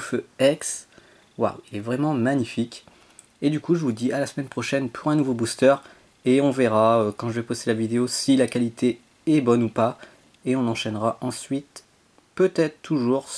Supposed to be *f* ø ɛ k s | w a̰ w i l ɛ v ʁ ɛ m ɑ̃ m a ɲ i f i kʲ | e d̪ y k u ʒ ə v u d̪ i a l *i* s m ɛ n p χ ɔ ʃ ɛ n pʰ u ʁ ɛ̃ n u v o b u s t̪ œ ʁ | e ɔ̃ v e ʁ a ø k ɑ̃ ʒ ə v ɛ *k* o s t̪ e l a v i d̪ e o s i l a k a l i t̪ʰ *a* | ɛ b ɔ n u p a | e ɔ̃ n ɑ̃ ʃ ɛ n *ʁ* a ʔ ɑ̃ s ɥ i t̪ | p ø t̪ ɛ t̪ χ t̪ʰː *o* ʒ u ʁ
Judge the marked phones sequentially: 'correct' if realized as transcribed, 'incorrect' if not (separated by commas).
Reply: correct, incorrect, incorrect, incorrect, correct, incorrect